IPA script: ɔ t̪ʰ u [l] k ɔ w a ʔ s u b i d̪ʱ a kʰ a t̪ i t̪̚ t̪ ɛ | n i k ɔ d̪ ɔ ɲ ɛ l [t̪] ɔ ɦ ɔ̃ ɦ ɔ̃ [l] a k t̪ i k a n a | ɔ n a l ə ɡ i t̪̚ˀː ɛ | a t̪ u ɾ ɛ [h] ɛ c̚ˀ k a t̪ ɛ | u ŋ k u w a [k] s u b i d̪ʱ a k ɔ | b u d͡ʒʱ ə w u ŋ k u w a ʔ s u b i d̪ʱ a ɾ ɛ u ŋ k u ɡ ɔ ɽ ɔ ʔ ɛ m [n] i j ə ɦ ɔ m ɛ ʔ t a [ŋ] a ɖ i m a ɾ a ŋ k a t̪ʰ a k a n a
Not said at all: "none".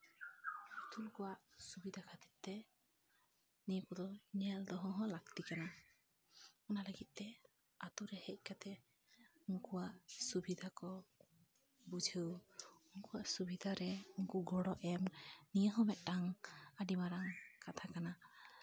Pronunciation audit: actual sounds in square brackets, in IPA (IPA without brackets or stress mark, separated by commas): l, d̪, l, h, ʔ, n, ŋ